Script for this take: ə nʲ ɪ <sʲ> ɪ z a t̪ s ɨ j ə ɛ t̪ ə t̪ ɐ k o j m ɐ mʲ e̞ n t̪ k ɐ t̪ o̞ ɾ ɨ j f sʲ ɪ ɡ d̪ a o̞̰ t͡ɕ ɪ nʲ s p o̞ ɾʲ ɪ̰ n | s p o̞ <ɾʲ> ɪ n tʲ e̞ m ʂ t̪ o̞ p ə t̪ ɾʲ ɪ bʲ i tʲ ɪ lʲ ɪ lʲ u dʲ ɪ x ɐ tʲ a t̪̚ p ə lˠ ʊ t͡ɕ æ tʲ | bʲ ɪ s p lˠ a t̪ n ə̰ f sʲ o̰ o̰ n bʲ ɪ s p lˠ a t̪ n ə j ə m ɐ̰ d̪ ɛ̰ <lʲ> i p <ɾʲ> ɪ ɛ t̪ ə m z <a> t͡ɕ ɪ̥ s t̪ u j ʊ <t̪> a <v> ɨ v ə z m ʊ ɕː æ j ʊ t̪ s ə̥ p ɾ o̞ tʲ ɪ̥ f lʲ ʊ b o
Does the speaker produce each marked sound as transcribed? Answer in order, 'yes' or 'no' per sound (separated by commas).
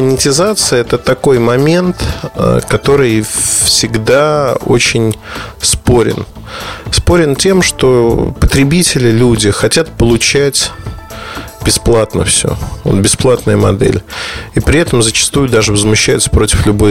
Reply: no, yes, yes, yes, no, no, no